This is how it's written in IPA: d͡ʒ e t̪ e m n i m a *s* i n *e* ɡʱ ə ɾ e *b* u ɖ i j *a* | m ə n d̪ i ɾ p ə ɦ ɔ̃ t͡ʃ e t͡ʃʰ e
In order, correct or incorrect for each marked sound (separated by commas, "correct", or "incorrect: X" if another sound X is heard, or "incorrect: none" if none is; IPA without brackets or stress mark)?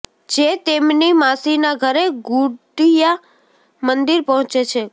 correct, incorrect: a, incorrect: ɡ, correct